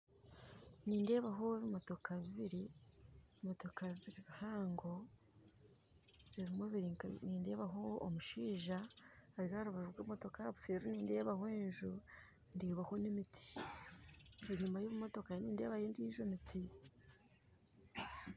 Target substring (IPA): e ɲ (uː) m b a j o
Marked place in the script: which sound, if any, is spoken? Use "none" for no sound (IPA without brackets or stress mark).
uː